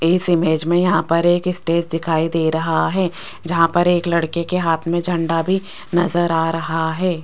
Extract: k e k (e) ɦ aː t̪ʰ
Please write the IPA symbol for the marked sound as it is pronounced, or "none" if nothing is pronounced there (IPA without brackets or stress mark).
e